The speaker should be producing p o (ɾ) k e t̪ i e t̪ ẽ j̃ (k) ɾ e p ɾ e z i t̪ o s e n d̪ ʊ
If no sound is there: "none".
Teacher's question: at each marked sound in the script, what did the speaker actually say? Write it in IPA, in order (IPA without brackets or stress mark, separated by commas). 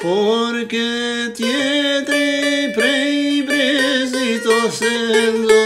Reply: ɾ, p